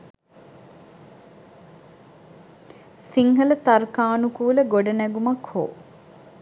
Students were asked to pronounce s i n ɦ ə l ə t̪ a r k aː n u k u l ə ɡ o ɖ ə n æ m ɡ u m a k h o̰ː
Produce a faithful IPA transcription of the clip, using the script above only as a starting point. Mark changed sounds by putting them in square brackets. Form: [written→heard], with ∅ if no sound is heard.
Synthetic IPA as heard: s i [n→ŋ] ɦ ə l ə t̪ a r k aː n u k [u→uː] l ə ɡ o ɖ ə n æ [m→∅] ɡ u m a k h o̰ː